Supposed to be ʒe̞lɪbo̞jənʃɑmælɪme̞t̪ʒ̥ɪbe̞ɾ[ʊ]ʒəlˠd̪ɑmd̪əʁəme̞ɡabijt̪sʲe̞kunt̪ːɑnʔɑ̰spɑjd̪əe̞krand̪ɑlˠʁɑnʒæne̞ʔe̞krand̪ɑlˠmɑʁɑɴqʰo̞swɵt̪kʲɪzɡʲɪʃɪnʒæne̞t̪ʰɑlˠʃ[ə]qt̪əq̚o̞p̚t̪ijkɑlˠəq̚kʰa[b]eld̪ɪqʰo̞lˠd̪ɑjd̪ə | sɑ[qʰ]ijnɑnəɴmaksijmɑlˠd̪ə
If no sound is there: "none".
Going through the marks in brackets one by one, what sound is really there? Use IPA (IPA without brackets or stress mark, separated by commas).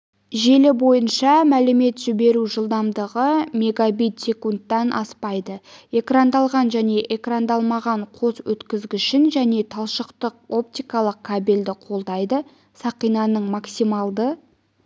u, ə, b, q